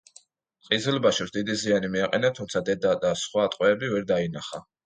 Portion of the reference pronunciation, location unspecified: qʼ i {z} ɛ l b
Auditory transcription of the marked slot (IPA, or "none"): z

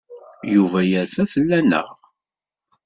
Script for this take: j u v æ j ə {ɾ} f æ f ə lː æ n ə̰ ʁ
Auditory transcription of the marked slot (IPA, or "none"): ɾ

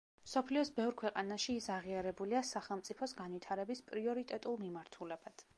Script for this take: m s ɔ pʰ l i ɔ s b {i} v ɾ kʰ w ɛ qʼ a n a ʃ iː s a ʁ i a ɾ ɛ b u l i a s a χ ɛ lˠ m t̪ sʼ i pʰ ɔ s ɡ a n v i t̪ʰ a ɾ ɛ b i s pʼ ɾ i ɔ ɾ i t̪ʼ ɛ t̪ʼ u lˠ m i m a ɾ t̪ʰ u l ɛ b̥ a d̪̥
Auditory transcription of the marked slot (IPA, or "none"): ɛ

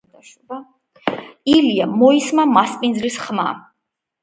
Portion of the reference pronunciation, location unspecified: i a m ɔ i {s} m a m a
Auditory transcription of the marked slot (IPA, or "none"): s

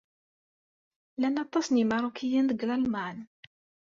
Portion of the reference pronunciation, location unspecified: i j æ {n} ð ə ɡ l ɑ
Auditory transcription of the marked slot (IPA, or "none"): n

